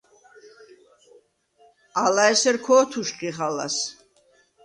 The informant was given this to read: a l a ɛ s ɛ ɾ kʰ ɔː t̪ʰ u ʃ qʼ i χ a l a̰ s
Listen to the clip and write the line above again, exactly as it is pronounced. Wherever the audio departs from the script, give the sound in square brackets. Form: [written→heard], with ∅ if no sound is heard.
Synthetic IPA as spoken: a l a ɛ s ɛ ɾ kʰ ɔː t̪ʰ u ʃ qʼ i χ a l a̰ s